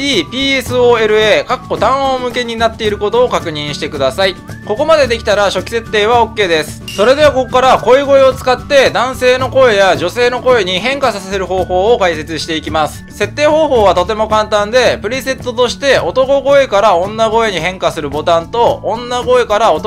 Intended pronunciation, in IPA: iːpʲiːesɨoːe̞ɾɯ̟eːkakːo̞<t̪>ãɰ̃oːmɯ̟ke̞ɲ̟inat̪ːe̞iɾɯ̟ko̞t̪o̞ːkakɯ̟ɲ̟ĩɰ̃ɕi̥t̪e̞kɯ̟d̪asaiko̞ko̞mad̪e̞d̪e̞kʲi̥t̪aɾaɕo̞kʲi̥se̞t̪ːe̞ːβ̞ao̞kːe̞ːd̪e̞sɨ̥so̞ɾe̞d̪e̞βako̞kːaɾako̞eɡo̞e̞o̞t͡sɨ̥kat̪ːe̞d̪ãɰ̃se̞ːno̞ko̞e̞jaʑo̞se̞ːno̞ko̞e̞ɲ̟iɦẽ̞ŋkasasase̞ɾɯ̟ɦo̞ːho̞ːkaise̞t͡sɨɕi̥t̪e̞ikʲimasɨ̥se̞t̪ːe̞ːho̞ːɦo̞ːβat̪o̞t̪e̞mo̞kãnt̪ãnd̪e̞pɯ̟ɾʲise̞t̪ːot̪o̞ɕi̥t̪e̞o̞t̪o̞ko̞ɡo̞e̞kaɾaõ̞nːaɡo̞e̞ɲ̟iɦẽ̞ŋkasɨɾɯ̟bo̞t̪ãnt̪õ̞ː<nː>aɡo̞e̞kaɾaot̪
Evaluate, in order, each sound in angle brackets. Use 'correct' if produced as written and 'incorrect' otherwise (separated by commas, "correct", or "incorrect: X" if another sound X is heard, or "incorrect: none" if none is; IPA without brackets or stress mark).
correct, correct